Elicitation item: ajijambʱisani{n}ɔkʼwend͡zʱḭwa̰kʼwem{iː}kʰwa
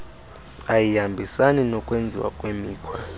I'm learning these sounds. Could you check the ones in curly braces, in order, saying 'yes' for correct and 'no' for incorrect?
yes, yes

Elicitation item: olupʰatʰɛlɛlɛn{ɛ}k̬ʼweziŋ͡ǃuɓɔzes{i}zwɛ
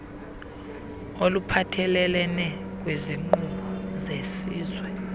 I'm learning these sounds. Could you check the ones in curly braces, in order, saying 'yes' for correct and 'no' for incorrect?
yes, no

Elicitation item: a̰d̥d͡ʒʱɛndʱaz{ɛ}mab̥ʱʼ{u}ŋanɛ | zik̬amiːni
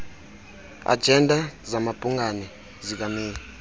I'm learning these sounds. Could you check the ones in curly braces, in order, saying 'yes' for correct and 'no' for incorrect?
no, yes

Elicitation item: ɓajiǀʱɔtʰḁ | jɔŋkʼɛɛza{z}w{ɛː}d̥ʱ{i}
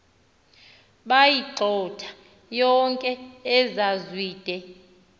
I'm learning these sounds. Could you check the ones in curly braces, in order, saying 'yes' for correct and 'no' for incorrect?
yes, no, no

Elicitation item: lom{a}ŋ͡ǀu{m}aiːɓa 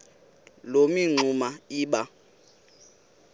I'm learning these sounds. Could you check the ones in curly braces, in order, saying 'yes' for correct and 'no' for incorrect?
no, yes

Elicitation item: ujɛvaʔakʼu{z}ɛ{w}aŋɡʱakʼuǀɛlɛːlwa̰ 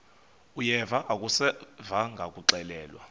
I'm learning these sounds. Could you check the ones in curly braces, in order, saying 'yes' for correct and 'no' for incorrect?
no, no

